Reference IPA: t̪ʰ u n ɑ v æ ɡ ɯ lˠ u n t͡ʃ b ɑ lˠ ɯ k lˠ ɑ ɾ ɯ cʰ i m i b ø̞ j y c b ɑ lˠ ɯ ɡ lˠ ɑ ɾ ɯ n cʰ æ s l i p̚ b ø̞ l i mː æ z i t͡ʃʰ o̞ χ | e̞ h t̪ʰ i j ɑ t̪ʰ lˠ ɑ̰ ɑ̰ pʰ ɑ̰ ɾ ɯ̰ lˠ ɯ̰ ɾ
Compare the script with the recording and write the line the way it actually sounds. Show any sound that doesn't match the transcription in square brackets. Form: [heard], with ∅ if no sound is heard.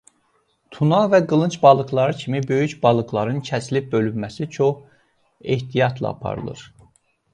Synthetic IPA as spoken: t̪ʰ u n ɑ v æ ɡ ɯ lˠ [ɯ] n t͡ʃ b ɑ lˠ ɯ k lˠ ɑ ɾ ɯ cʰ i m i b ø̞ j y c b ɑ lˠ ɯ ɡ lˠ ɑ ɾ ɯ n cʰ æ s l i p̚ b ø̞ l [y] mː æ [s] i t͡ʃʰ o̞ χ | e̞ h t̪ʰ i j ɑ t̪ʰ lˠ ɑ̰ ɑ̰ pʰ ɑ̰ ɾ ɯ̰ lˠ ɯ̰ ɾ